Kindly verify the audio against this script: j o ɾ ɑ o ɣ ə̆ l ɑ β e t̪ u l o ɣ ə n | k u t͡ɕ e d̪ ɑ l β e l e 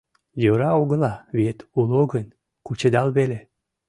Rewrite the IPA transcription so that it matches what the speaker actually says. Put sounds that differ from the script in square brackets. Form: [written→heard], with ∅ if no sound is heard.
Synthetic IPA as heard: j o ɾ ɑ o ɣ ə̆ l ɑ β e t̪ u l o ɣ ə n | k u t͡ɕ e d̪ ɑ l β e l e

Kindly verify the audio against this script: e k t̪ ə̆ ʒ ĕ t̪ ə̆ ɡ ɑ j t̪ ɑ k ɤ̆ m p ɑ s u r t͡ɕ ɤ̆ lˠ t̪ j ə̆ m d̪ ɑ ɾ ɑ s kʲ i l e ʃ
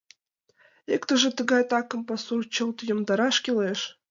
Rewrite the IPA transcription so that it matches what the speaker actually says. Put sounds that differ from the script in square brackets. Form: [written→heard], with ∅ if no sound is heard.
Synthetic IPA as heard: e k t̪ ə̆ ʒ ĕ t̪ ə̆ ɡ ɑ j t̪ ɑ k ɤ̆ m p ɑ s u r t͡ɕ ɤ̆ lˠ t̪ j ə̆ m d̪ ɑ ɾ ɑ [s→ʃ] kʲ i l e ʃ

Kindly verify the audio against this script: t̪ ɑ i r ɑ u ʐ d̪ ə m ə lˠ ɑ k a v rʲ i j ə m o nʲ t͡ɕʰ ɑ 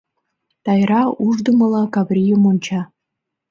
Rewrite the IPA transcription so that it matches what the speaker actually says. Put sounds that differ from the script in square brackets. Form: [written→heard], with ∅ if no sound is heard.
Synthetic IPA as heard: t̪ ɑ [i→j] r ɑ u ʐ d̪ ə m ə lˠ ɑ k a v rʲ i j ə m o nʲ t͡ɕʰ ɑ

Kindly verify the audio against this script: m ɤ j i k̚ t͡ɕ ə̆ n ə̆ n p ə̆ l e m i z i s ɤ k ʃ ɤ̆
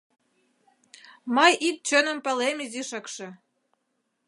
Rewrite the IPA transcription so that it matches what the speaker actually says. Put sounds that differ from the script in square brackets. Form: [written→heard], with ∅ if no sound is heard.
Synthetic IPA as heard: m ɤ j i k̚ t͡ɕ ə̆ n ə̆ [n→m] p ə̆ l e m i z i [s→ʃ] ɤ k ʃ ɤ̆

